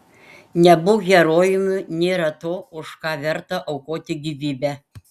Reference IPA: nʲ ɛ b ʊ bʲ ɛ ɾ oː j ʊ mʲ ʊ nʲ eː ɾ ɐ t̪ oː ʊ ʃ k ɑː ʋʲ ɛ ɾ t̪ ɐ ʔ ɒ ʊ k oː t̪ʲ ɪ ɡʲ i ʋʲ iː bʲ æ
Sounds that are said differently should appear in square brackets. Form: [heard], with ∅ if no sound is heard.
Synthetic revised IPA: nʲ ɛ b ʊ [ɡʲ] ɛ ɾ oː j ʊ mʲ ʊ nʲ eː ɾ ɐ t̪ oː ʊ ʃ k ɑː ʋʲ ɛ ɾ t̪ ɐ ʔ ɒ ʊ k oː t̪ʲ ɪ ɡʲ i ʋʲ iː bʲ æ